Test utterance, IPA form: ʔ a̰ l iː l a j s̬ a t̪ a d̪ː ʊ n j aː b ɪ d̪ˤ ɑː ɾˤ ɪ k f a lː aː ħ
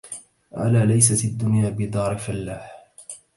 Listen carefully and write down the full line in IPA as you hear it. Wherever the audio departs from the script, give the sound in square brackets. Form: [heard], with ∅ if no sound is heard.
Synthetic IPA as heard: ʔ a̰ l [aː] l a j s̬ a t̪ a d̪ː ʊ n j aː b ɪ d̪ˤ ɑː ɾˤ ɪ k f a lː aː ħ

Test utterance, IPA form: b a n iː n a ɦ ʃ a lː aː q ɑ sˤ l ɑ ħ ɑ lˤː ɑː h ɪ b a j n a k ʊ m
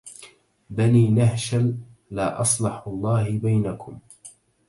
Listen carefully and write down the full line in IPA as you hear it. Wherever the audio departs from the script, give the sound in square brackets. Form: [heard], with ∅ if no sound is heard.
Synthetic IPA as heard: b a n iː n a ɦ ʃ a lː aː [ʔ] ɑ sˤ l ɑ ħ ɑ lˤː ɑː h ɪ b a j n a k ʊ m

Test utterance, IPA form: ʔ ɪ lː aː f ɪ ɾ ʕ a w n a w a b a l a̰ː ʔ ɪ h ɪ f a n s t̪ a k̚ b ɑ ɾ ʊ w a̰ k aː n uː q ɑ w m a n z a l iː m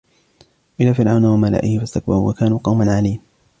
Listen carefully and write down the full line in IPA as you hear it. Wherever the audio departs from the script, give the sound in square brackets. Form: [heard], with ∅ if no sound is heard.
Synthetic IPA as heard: ʔ ɪ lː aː f ɪ ɾ ʕ a w n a w a [m] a l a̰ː ʔ ɪ h ɪ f a [∅] s t̪ a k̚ b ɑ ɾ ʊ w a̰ k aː n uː q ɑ w m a n [ʕ] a l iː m

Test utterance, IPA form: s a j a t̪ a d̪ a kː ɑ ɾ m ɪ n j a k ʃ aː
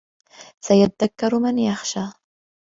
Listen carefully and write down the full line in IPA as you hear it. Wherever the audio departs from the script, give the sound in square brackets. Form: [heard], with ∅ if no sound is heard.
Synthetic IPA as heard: s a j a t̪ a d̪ a kː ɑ ɾ m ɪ n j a [x] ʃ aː

